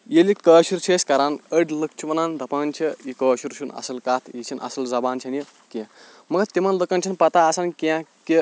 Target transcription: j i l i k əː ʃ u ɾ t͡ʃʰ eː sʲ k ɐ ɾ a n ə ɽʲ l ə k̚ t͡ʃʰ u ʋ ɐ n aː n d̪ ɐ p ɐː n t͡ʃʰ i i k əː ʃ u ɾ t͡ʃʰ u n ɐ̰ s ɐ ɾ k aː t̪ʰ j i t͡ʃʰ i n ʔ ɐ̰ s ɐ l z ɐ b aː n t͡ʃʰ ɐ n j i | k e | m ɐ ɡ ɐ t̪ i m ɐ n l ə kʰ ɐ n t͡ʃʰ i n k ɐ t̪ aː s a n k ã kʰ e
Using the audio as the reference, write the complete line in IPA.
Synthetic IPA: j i l i k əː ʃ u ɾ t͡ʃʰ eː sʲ k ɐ ɾ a n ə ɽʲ l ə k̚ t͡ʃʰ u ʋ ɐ n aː n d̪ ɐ p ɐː n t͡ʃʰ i i k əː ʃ u ɾ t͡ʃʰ u n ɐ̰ s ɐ l k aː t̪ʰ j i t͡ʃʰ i n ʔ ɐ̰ s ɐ l z ɐ b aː n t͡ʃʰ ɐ n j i | k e | m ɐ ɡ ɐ t̪ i m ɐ n l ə k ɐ n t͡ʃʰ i n p ɐ t̪ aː s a n k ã k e